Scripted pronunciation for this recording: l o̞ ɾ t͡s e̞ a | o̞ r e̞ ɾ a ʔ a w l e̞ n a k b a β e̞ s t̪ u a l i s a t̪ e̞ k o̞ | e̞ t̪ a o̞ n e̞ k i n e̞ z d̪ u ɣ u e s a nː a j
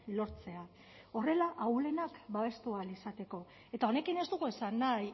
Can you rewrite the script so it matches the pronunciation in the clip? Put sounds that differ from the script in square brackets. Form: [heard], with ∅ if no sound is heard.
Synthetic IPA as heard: l o̞ ɾ t͡s e̞ a | o̞ r e̞ [l] a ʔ a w l e̞ n a k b a β e̞ s t̪ u a l i s a t̪ e̞ k o̞ | e̞ t̪ a o̞ n e̞ k i n e̞ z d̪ u ɣ u e s a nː a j

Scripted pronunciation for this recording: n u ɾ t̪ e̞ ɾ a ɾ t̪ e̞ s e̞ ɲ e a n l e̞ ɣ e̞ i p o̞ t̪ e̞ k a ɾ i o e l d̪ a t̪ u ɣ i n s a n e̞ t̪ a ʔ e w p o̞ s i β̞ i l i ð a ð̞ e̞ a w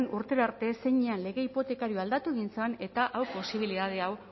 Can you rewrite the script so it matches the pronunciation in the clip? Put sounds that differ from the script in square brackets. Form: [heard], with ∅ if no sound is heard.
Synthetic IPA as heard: n u ɾ t̪ e̞ ɾ a ɾ t̪ e̞ s e̞ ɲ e a n l e̞ ɣ e̞ i p o̞ t̪ e̞ k a ɾ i o [a] l d̪ a t̪ u ɣ i n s a n e̞ t̪ a ʔ [a] w p o̞ s i β̞ i l i ð a ð̞ e̞ a w

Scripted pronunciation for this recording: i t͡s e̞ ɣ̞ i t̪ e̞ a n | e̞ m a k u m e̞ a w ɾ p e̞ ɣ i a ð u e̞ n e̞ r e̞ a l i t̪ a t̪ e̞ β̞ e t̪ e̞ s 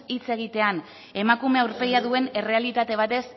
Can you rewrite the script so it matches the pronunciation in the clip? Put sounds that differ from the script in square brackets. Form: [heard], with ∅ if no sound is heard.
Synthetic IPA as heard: i t͡s e̞ ɣ̞ i t̪ e̞ a n | e̞ m a k u m e̞ a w ɾ p e̞ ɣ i a ð u e̞ n e̞ r e̞ a l i t̪ a t̪ e̞ β̞ [a] t̪ e̞ s

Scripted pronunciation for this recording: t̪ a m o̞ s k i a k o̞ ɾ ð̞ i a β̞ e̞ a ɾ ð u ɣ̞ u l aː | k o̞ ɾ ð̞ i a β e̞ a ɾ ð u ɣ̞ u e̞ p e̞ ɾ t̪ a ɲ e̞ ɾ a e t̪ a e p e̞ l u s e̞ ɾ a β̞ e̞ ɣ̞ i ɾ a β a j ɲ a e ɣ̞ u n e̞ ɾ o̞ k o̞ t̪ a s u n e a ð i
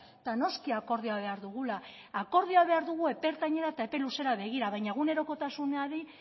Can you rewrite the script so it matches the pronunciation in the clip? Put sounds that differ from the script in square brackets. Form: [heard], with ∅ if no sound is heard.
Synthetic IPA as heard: t̪ a [n] o̞ s k i a k o̞ ɾ ð̞ i a β̞ e̞ a ɾ ð u ɣ̞ u l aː | k o̞ ɾ ð̞ i a β e̞ a ɾ ð u ɣ̞ u e̞ p e̞ ɾ t̪ a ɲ e̞ ɾ a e t̪ a e p e̞ l u s e̞ ɾ a β̞ e̞ ɣ̞ i ɾ a β a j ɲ a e ɣ̞ u n e̞ ɾ o̞ k o̞ t̪ a s u n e a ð i

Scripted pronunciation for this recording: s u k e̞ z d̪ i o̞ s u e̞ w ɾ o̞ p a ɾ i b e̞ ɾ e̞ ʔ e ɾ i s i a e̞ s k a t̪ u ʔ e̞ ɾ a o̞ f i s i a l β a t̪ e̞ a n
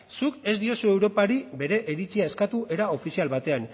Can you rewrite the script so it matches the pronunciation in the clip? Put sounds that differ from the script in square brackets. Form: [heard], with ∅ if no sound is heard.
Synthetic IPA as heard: s u k e̞ z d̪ i o̞ s u e̞ w ɾ o̞ p a ɾ i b e̞ ɾ e̞ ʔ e ɾ i [t͡s] i a e̞ s k a t̪ u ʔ e̞ ɾ a o̞ f i s i a l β a t̪ e̞ a n

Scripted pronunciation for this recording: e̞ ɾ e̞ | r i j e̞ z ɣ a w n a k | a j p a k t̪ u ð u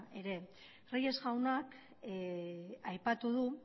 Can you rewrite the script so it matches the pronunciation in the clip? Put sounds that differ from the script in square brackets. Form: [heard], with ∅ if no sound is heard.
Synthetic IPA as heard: e̞ ɾ e̞ | r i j e̞ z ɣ a w n a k | a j p a [∅] t̪ u ð u

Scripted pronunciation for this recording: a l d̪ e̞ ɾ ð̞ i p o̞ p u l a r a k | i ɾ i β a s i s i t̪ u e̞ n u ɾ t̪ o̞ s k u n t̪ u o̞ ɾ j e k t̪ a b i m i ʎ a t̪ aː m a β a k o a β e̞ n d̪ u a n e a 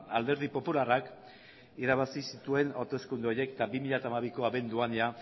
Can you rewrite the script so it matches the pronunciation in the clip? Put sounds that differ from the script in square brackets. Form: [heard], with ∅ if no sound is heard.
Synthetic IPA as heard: a l d̪ e̞ ɾ ð̞ i p o̞ p u l a r a k | i ɾ [a] β a s i s i t̪ u e̞ n [o] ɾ t̪ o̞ s k u n [d̪] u o̞ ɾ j e k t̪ a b i m i ʎ a t̪ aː m a β [i] k o a β e̞ n d̪ u a n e a

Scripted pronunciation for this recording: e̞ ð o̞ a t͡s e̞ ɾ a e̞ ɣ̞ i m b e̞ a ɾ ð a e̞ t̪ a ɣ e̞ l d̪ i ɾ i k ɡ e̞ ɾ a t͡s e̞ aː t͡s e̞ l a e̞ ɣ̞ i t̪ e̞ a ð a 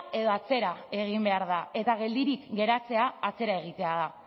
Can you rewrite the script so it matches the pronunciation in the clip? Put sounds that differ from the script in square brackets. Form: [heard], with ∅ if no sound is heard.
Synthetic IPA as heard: e̞ ð o̞ a t͡s e̞ ɾ a e̞ ɣ̞ i m b e̞ a ɾ ð a e̞ t̪ a ɣ e̞ l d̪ i ɾ i k ɡ e̞ ɾ a t͡s e̞ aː t͡s e̞ [ɾ] a e̞ ɣ̞ i t̪ e̞ a ð a

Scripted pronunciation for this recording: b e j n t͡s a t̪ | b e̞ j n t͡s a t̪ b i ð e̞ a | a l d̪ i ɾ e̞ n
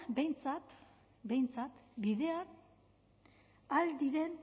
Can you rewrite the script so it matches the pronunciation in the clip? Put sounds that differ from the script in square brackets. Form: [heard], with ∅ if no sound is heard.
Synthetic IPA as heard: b e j n t͡s a t̪ | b e̞ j n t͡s a t̪ b i ð e̞ a | a l d̪ i ɾ e̞ n

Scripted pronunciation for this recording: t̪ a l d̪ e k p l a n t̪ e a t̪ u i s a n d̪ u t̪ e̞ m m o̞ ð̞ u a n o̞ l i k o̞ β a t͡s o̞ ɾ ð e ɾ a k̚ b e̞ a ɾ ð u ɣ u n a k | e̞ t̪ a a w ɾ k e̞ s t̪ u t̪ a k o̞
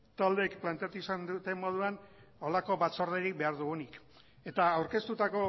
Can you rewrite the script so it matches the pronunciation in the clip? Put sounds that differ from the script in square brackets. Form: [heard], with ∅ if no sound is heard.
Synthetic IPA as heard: t̪ a l d̪ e k p l a n t̪ e a t̪ u i s a n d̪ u t̪ e̞ m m o̞ ð̞ u a n o̞ l [a] k o̞ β a t͡s o̞ ɾ ð e ɾ [i] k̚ b e̞ a ɾ ð u ɣ u n [i] k | e̞ t̪ a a w ɾ k e̞ s t̪ u t̪ a k o̞

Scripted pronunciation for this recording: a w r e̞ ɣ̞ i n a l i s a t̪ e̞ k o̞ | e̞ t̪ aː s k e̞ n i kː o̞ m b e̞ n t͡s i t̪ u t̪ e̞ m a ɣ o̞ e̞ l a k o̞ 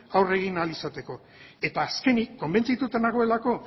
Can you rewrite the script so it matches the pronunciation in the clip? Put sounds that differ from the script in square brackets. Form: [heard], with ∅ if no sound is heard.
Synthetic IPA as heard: a w r e̞ ɣ̞ i n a l i s a t̪ e̞ k o̞ | e̞ t̪ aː s k e̞ n i kː o̞ m b e̞ n t͡s i t̪ u t̪ e̞ [n] a ɣ o̞ e̞ l a k o̞

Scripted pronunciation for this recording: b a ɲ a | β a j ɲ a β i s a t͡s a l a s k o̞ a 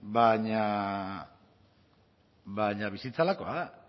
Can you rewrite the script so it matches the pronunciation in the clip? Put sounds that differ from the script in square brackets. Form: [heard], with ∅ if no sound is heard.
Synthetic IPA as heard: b a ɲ a | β a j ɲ a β i s [i] t͡s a l a [∅] k o̞ a

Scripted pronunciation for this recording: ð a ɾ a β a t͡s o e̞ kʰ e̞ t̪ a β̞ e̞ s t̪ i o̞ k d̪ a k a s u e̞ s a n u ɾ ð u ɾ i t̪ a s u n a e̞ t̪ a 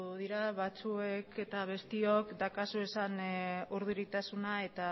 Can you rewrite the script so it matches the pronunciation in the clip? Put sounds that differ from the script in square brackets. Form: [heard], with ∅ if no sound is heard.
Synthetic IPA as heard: ð [i] ɾ a β a t͡s [u] e̞ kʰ e̞ t̪ a β̞ e̞ s t̪ i o̞ k d̪ a k a s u e̞ s a n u ɾ ð u ɾ i t̪ a s u n a e̞ t̪ a

